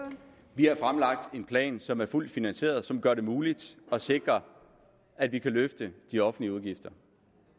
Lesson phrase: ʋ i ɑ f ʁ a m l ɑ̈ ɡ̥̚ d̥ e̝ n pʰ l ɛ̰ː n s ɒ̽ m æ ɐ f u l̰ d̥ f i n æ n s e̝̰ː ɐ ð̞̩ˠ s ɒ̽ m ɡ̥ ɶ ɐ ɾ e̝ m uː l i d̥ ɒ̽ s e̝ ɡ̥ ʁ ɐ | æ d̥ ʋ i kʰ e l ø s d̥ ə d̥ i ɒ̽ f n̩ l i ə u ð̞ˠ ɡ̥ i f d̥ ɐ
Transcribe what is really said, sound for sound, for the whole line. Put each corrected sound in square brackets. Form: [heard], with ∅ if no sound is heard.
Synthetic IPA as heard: ʋ i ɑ f ʁ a m l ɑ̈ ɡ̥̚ d̥ e̝ n pʰ l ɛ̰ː n s ɒ̽ m æ ɐ f u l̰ d̥ f i n æ n s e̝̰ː ɐ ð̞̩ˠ s ɒ̽ m ɡ̥ ɶ ɐ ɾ e̝ m uː l i d̥ ɒ̽ s e̝ ɡ̥ ʁ ɐ | æ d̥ ʋ i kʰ [æ] l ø [f] d̥ ə d̥ i ɒ̽ f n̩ l i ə u ð̞ˠ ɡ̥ i f d̥ ɐ